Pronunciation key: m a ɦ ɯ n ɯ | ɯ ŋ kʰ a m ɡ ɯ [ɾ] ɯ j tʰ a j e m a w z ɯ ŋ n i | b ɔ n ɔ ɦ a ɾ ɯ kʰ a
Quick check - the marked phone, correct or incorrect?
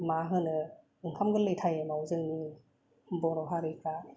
incorrect: l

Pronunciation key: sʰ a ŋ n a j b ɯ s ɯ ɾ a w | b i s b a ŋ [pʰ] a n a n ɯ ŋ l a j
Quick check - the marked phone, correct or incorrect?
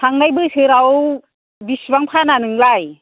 correct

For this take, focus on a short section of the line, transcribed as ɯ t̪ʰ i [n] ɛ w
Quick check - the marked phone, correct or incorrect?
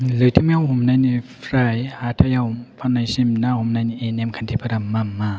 incorrect: m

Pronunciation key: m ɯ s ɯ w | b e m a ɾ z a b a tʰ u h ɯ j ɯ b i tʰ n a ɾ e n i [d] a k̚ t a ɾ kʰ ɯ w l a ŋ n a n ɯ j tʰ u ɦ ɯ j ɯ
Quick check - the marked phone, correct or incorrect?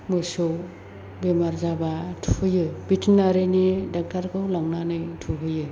correct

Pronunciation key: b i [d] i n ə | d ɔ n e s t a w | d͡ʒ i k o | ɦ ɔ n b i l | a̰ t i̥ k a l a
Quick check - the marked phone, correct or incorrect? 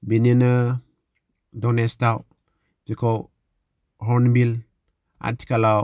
incorrect: n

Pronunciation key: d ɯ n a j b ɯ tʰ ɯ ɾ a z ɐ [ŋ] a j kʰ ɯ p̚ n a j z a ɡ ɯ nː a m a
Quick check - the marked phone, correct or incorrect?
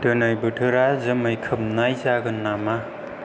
incorrect: m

